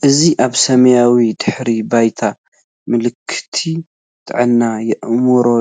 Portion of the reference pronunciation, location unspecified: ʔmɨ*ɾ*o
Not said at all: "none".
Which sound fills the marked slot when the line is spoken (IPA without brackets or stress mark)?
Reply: ɾ